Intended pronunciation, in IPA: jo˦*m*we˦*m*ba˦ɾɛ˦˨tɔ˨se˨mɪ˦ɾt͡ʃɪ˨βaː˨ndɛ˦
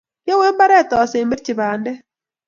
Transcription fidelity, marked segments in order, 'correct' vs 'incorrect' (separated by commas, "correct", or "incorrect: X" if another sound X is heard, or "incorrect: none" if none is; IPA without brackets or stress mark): incorrect: none, correct